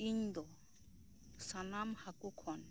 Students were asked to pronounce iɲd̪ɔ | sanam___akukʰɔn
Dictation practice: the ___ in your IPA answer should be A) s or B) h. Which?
B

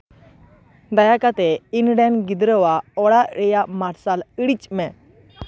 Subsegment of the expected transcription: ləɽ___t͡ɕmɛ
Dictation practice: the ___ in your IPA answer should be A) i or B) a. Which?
A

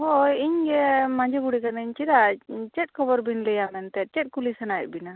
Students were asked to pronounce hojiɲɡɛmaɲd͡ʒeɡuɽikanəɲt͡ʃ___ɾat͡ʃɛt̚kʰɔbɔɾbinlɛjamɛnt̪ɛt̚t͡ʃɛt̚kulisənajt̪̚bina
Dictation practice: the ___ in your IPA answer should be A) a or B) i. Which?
B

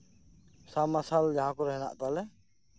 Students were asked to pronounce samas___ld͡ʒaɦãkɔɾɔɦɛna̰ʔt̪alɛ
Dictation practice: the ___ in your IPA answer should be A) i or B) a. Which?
B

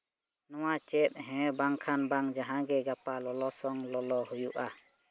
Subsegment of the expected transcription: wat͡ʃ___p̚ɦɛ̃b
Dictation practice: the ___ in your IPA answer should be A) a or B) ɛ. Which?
B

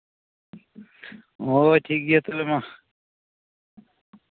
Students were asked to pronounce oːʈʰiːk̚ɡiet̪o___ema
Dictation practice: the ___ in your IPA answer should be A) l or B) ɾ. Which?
A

